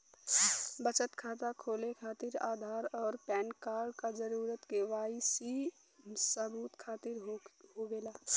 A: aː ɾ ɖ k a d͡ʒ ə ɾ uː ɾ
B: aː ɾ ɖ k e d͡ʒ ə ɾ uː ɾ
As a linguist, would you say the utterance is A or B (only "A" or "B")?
A